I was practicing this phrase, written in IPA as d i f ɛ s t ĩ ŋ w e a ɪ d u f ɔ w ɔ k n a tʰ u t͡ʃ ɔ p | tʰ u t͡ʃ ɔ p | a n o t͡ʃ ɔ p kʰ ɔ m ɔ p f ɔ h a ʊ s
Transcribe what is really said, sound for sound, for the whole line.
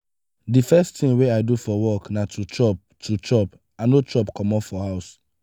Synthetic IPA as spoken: d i f ɛ s t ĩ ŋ w e a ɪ d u f ɔ w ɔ k n a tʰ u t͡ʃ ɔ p | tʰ u t͡ʃ ɔ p | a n o t͡ʃ ɔ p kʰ ɔ m ɔ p f ɔ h a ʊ s